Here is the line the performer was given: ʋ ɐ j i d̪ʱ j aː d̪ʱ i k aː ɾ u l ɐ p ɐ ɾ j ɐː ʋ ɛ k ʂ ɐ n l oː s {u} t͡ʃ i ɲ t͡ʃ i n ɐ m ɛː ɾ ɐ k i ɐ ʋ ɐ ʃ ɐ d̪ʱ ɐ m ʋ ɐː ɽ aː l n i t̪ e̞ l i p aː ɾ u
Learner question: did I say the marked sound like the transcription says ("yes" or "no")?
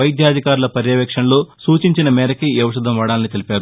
no